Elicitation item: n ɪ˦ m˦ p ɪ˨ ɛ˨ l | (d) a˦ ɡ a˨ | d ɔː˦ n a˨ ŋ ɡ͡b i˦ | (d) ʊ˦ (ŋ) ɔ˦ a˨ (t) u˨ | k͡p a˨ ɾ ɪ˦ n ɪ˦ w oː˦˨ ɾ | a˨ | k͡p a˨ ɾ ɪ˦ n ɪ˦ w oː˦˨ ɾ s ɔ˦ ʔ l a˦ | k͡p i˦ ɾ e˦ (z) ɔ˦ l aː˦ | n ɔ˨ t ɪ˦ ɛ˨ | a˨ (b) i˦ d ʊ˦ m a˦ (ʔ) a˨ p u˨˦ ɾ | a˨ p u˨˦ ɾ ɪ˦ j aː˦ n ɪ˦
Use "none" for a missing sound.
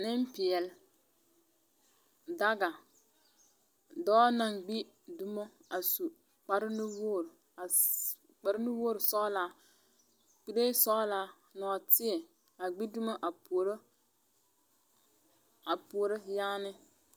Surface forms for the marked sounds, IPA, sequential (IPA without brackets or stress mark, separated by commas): d, d, m, s, s, ɡ͡b, ʔ